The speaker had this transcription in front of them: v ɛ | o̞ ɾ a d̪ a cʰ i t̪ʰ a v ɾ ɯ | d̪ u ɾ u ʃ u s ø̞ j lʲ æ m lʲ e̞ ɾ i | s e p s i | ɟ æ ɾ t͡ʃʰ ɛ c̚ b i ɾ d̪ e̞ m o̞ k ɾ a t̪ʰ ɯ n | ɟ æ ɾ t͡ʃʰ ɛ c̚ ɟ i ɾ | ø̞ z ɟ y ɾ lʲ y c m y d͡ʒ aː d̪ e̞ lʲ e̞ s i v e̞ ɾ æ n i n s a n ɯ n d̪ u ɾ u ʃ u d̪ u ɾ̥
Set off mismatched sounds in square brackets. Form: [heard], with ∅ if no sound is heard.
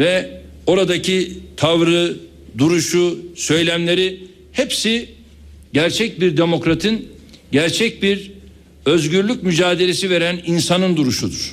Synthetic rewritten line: v ɛ | o̞ ɾ a d̪ a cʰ i t̪ʰ a v ɾ ɯ | d̪ u ɾ u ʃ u s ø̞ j lʲ æ m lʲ e̞ ɾ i | [h] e p s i | ɟ æ ɾ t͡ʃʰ ɛ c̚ b i ɾ d̪ e̞ m o̞ k ɾ a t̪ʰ ɯ n | ɟ æ ɾ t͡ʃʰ ɛ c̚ [b] i ɾ | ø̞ z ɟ y ɾ lʲ y c m y d͡ʒ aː d̪ e̞ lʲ e̞ s i v e̞ ɾ æ n i n s a n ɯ n d̪ u ɾ u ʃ u d̪ u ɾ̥